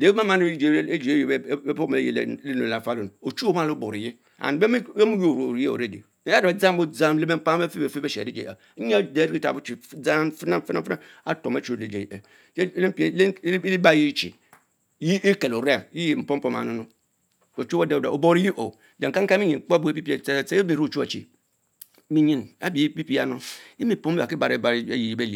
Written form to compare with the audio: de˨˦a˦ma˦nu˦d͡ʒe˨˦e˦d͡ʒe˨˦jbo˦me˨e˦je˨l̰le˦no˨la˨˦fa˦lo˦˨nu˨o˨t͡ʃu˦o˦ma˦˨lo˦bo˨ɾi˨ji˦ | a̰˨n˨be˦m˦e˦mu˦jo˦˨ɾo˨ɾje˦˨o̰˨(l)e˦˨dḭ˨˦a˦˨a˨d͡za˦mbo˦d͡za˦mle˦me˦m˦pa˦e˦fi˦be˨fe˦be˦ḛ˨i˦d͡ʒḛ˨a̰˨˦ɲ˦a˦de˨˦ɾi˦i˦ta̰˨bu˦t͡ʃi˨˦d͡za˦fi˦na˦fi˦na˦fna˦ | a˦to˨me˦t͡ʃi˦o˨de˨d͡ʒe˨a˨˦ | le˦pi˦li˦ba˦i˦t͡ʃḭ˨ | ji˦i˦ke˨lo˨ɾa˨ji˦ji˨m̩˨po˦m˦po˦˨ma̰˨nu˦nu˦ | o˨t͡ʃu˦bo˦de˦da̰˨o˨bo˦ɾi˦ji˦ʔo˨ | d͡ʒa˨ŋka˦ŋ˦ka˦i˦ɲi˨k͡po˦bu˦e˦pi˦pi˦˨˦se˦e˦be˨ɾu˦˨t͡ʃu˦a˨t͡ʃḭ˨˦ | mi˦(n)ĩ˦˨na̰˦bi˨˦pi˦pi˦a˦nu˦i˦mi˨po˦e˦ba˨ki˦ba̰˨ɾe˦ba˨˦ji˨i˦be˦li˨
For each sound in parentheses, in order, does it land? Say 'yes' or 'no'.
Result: no, no

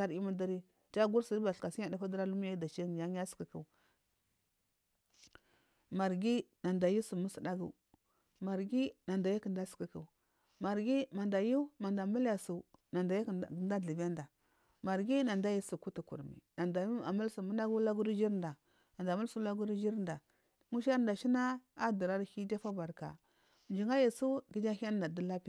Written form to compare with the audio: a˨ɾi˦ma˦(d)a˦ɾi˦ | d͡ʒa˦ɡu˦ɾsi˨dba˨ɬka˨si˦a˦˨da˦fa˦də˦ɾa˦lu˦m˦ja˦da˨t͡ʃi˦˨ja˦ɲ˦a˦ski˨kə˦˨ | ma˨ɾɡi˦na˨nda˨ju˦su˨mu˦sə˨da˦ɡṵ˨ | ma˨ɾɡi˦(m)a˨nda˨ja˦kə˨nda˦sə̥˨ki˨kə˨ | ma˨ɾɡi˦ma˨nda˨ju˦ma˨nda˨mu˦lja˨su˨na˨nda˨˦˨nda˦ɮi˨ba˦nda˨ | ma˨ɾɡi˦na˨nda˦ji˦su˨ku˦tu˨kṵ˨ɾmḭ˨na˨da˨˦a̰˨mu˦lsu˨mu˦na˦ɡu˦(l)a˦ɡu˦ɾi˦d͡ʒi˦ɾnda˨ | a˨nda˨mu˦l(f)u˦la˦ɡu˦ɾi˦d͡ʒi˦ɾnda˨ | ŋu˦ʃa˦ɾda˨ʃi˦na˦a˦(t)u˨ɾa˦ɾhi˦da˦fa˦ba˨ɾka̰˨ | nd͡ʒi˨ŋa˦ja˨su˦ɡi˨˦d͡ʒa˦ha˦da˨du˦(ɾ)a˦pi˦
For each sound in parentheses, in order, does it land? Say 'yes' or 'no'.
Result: yes, no, yes, no, no, no

